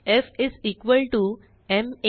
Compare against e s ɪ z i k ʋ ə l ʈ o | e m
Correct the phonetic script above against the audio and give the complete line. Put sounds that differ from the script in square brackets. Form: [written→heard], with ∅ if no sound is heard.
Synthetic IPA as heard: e [s→f] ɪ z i k ʋ ə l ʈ [o→u] | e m